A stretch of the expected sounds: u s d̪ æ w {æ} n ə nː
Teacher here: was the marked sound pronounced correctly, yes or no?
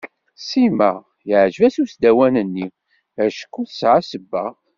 yes